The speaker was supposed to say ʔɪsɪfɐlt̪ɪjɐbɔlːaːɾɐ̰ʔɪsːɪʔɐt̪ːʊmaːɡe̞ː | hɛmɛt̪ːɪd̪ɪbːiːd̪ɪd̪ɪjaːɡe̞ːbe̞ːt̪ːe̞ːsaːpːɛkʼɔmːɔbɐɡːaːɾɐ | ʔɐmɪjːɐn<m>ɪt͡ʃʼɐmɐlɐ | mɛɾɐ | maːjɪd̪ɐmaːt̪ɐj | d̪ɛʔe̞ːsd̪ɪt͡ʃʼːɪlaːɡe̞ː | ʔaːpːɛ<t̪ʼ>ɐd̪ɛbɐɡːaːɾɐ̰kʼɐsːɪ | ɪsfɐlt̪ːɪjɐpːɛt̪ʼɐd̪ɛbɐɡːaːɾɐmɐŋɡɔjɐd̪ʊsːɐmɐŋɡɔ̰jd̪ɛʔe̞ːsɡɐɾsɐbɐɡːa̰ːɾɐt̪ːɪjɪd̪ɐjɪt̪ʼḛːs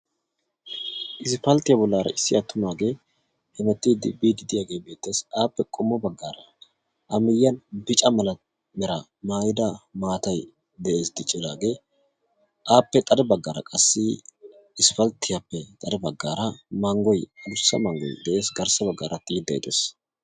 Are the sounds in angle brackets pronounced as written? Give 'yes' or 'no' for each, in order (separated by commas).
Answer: no, yes